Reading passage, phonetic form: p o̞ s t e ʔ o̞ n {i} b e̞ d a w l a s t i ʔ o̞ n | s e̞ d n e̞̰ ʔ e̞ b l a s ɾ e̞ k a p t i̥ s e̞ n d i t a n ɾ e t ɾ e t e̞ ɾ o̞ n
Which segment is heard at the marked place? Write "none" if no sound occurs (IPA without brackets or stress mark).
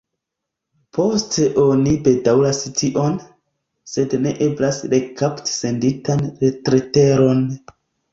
i